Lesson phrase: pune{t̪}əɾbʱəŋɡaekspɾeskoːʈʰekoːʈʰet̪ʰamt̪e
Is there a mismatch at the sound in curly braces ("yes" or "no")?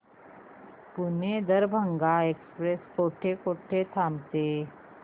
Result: yes